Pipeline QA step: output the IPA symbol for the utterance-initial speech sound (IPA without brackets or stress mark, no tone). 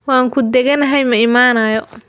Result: w